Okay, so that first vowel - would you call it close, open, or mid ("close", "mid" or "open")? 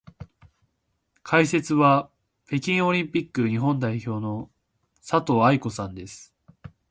open